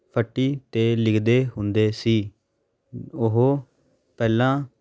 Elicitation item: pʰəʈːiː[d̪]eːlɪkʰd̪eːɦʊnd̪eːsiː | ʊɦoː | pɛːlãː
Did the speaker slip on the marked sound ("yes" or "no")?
yes